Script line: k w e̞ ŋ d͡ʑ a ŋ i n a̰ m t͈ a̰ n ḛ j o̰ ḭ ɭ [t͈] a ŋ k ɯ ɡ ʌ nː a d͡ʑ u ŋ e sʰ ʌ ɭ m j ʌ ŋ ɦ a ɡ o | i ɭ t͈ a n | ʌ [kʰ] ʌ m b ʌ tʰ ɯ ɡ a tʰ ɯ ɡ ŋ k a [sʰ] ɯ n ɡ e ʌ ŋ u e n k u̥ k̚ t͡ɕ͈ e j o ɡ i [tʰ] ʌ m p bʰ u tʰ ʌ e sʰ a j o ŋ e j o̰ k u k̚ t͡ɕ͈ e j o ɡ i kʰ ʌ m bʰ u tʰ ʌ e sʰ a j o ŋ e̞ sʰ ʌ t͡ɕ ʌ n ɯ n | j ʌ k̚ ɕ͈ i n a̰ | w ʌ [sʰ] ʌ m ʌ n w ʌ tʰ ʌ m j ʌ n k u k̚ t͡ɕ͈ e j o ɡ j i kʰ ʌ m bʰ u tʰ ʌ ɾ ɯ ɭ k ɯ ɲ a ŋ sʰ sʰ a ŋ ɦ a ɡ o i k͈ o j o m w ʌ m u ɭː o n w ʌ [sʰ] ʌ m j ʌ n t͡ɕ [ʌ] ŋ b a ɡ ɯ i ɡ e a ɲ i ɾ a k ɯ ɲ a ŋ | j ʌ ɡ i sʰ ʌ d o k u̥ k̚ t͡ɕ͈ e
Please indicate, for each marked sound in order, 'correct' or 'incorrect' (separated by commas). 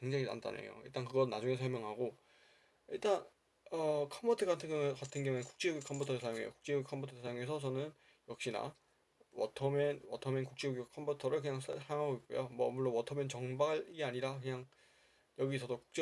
correct, correct, incorrect, incorrect, incorrect, incorrect, correct